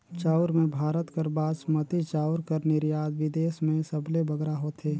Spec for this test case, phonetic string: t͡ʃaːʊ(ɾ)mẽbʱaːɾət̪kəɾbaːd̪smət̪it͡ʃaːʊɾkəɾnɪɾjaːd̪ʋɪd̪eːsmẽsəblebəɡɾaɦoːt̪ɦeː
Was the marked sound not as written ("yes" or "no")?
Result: no